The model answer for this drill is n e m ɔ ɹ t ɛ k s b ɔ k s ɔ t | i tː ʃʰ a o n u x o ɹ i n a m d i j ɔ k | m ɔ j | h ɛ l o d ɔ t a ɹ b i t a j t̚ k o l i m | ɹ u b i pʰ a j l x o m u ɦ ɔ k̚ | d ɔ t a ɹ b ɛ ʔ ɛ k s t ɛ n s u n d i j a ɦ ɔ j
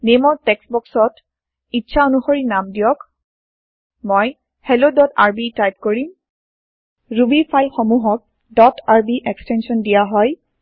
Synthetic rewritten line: n e m ɔ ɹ t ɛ k s b ɔ k s ɔ t | i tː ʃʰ a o n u x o ɹ i n a m d i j ɔ k | m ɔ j | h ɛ l o d ɔ t a ɹ b i t a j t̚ k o ɹ i m | ɹ u b i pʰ a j l x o m u ɦ ɔ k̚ | d ɔ t a ɹ b i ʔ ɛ k s t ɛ n s ɔ n d i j a ɦ ɔ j